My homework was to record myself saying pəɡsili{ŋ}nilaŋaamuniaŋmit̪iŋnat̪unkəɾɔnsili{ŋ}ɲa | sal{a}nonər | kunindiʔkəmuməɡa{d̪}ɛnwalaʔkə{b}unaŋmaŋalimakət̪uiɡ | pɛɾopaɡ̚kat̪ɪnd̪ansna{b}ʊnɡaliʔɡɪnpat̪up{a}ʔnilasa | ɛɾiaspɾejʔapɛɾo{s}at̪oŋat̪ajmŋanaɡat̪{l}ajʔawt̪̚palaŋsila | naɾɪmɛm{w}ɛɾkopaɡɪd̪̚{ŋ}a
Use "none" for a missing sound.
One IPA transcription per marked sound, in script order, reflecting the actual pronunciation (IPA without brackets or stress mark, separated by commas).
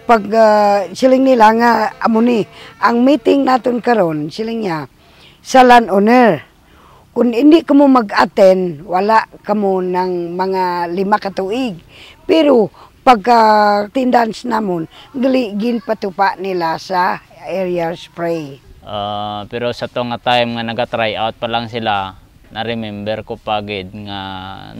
ŋ, ŋ, a, t̪, m, m, a, s, ɾ, b, ŋ